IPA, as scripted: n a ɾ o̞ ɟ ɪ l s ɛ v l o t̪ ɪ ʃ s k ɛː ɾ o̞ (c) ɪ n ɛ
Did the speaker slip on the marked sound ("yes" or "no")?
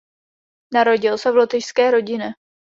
yes